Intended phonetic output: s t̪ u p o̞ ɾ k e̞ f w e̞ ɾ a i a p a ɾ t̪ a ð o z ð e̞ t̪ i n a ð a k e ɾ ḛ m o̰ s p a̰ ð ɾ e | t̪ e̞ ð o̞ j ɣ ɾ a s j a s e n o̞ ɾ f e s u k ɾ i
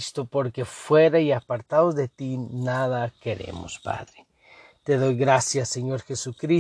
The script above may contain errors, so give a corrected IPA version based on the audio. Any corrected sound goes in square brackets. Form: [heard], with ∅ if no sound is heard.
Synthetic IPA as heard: s t̪ [o] p o̞ ɾ k e̞ f w e̞ ɾ a i a p a ɾ t̪ a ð o z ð e̞ t̪ i n a ð a k e ɾ ḛ m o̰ s p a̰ ð ɾ e | t̪ e̞ ð o̞ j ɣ ɾ a s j a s e [ɲ] o̞ ɾ [x] e s u k ɾ i